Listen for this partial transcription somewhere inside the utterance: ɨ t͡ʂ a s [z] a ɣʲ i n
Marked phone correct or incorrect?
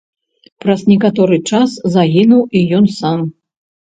correct